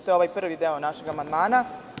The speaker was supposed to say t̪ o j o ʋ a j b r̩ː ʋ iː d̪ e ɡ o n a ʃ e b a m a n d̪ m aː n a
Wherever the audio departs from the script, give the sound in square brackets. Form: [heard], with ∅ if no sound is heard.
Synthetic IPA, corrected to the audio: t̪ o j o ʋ a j [p] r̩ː ʋ [i] d̪ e [∅] o n a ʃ e [ɡ] a m a n d̪ m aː n a